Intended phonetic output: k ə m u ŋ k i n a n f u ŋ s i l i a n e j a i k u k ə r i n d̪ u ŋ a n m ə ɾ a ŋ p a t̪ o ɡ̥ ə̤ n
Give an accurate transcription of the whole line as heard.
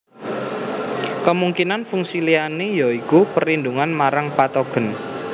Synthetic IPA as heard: k ə m u ŋ k i n a n f u ŋ s i l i a n e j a i k u p ə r i n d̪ u ŋ a n m a ɾ a ŋ p a t̪ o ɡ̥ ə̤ n